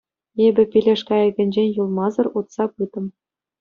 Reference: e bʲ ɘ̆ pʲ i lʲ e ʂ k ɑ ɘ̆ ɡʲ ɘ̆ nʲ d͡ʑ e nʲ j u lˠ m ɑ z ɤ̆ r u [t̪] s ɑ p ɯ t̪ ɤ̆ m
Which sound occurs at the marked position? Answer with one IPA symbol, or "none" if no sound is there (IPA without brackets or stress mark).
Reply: t̪